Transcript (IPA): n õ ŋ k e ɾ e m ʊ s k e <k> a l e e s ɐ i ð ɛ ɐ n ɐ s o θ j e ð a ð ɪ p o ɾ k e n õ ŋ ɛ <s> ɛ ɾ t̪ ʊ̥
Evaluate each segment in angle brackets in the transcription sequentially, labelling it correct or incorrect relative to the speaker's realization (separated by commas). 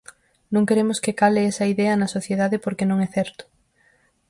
correct, incorrect